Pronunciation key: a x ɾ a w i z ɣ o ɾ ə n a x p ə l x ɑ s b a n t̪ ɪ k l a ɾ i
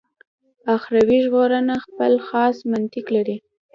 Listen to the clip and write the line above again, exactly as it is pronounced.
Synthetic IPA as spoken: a x ɾ a w i ʒ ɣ o ɾ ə n a x p ə l x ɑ s m a n t̪ ɪ k l a ɾ i